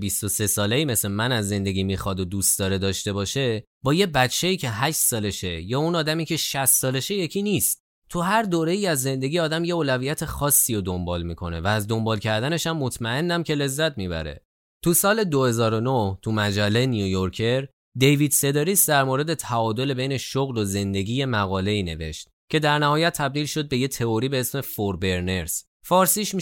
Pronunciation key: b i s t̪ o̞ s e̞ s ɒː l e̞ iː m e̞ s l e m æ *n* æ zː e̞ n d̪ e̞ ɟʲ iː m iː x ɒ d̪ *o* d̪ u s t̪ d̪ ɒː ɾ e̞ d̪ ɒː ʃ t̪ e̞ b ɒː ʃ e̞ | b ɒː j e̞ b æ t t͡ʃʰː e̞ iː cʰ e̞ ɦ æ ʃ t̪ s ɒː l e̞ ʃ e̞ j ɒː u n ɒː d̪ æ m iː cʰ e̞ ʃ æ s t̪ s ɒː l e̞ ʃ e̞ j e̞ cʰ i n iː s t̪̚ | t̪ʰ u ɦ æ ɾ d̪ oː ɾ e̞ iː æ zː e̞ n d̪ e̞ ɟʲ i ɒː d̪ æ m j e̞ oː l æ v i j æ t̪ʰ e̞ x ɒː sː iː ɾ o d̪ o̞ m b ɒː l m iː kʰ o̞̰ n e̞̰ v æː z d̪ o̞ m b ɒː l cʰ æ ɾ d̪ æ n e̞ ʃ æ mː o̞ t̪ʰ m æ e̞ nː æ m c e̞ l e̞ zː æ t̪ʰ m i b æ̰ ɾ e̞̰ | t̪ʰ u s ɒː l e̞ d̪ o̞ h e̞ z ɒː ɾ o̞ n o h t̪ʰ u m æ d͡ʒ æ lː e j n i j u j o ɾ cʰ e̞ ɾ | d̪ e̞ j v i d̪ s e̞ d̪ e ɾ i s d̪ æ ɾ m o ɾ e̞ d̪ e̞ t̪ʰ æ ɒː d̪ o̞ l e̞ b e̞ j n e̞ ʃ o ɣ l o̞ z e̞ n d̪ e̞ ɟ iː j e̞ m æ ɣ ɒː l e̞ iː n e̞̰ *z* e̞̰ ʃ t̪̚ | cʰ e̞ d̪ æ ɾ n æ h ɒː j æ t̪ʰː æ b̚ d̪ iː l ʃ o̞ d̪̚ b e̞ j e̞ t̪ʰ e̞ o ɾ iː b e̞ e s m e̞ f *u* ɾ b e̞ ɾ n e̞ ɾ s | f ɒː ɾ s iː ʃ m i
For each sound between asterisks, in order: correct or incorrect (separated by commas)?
correct, correct, incorrect, incorrect